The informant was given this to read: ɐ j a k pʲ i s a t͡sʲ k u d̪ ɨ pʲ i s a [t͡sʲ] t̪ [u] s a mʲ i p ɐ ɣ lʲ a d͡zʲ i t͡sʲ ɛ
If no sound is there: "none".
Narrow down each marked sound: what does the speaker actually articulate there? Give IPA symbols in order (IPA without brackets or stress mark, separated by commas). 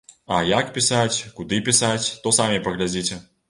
t͡sʲ, ɔ